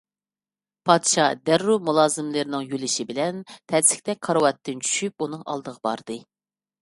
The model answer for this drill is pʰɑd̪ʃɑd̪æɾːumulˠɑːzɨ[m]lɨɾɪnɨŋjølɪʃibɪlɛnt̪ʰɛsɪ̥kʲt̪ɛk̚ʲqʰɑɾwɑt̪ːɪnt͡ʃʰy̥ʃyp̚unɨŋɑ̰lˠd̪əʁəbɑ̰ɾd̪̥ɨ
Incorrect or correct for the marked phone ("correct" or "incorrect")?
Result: correct